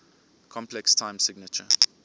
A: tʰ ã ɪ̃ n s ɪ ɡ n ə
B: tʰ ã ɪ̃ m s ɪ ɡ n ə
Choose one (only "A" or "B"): B